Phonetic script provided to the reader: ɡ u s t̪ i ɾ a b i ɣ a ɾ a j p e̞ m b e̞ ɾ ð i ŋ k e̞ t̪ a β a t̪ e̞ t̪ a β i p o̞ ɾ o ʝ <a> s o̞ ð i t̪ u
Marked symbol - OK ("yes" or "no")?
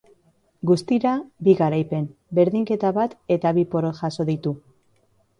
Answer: yes